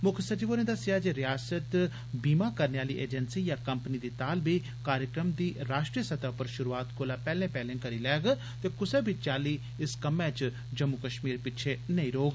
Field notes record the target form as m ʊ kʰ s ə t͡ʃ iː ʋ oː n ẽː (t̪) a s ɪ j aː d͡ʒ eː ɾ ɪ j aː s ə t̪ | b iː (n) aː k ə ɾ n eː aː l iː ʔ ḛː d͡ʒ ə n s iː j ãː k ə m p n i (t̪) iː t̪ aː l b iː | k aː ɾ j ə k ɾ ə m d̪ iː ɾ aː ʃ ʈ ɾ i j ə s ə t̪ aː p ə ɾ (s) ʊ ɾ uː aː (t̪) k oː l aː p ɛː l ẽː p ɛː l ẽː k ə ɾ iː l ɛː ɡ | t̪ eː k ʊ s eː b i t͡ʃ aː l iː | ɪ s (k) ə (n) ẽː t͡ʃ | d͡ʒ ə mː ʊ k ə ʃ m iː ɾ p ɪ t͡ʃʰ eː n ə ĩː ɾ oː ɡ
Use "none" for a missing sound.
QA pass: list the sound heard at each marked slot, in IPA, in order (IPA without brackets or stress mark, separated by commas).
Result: d̪, m, d̪, ʃ, t̪, k, m